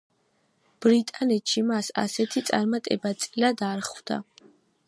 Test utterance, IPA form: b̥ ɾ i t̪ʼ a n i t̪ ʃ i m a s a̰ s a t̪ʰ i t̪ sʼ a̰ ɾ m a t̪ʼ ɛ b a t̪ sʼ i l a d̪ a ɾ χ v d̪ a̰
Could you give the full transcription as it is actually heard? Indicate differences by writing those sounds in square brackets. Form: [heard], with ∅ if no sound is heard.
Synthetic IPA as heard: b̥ ɾ i t̪ʼ a n [ɛ] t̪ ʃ i m a s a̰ s [ɛ] t̪ʰ i t̪ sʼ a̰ ɾ m a t̪ʼ ɛ b a t̪ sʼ i l a d̪ a ɾ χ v d̪ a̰